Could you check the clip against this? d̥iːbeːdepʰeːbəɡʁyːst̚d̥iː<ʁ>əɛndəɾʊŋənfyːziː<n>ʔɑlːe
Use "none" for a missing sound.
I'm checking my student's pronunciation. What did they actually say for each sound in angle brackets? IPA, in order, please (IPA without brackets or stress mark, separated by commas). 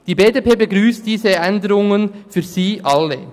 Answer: z, none